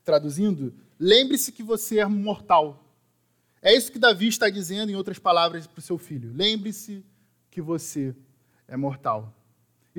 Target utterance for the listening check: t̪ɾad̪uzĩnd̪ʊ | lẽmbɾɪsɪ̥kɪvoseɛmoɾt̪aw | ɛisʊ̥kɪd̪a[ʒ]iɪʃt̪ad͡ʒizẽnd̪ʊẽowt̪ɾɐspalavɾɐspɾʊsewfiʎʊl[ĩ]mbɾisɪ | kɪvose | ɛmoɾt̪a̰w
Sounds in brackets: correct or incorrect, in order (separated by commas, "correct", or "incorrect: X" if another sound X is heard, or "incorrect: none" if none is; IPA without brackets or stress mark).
incorrect: v, incorrect: ẽ